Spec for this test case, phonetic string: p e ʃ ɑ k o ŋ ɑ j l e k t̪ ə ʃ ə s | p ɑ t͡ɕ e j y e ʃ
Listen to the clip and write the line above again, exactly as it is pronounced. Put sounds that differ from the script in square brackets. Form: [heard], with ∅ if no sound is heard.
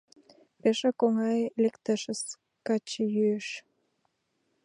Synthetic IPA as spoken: p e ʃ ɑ k o ŋ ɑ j l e k t̪ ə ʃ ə s | [k] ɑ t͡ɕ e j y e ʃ